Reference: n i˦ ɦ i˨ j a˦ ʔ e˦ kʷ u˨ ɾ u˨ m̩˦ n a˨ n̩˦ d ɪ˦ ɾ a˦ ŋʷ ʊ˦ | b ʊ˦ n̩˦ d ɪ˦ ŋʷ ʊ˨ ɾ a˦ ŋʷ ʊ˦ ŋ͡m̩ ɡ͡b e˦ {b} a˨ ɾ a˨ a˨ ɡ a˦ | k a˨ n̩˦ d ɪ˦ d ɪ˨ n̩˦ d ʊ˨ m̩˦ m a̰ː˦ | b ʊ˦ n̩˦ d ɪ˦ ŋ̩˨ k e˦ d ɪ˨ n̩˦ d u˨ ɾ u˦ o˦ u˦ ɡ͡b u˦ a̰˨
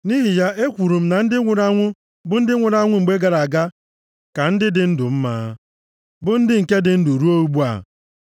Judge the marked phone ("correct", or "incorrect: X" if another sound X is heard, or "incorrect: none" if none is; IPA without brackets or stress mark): incorrect: ɡ